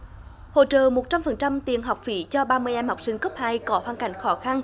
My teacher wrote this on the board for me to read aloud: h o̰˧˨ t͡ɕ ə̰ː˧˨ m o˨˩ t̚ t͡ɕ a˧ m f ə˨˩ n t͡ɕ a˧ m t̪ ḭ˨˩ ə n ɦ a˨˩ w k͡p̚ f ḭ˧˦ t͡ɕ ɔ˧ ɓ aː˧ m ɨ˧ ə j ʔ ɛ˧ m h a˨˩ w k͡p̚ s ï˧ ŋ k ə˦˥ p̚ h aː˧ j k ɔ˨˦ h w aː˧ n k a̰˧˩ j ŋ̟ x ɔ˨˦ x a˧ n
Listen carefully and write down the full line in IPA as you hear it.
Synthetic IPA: h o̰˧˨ t͡ɕ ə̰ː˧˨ m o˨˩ t̚ t͡ɕ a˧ m f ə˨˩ n t͡ɕ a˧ m t̪ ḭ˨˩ ə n ɦ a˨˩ w k͡p̚ f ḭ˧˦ t͡ɕ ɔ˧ ɓ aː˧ m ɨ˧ ə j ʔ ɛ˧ m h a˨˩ w k͡p̚ s ï˧ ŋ k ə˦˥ p̚ h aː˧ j k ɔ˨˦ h w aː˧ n k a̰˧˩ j ŋ̟ x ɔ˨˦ x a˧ n